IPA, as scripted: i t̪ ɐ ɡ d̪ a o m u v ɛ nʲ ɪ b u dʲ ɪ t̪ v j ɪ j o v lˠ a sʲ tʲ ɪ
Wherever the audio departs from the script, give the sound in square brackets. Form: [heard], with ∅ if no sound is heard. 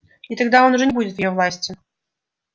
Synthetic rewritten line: i t̪ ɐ ɡ d̪ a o [n] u [ʐ] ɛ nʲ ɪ b u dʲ ɪ t̪ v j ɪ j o v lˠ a sʲ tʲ ɪ